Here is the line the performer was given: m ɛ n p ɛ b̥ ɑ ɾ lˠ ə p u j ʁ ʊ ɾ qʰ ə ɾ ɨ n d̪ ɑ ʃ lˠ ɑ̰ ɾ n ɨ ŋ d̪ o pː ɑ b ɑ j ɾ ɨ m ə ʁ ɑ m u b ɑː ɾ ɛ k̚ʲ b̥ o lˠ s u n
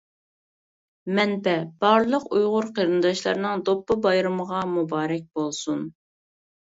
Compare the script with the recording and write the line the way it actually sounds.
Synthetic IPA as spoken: m ɛ n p ɛ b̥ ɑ ɾ lˠ ə q u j ʁ ʊ ɾ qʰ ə ɾ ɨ n d̪ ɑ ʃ lˠ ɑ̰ ɾ n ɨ ŋ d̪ o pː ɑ b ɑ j ɾ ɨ m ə ʁ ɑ m u b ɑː ɾ ɛ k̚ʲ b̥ o lˠ s u n